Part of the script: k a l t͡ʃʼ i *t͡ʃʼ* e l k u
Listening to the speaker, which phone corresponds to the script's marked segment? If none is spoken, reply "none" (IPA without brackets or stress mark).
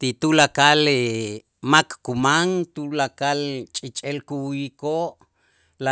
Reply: t͡ʃʼ